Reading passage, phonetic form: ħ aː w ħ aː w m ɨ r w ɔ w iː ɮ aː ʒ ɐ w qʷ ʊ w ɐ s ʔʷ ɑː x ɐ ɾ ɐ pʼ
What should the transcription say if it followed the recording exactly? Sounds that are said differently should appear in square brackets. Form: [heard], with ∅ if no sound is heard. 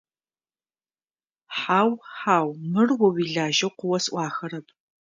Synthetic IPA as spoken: ħ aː w ħ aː w m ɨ r w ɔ w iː ɮ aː ʒ ɐ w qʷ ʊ w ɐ s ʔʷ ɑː x ɐ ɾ ɐ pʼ